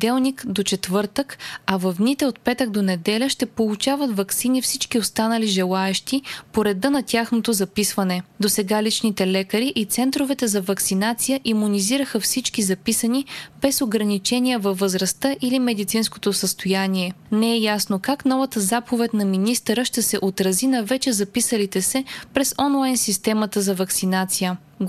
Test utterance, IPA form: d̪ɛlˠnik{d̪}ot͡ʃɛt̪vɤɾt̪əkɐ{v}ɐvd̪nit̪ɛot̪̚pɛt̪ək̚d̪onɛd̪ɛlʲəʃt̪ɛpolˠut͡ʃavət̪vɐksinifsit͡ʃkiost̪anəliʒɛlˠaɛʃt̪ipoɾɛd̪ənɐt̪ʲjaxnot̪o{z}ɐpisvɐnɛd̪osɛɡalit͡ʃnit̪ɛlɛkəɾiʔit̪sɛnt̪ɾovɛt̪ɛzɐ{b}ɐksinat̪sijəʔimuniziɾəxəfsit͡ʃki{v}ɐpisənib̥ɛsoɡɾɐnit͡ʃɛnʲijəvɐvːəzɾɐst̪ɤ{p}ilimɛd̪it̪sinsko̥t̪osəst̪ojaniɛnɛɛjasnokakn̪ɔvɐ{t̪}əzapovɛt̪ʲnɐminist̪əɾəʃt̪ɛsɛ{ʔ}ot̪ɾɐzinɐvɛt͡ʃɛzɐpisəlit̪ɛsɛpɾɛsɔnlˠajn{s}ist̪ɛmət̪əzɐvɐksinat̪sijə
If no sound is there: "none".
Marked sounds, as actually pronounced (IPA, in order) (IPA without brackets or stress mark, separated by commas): d̪, v, z, v, z, ʔ, t̪, ʔ, s